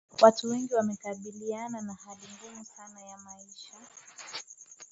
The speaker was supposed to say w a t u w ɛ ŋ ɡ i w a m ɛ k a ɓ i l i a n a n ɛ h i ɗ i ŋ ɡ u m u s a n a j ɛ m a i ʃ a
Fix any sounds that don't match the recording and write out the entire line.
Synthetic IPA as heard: w a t u w ɛ ŋ ɡ i w a m ɛ k a ɓ i l i a n a n a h a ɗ i ŋ ɡ u m u s a n a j a m a i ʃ a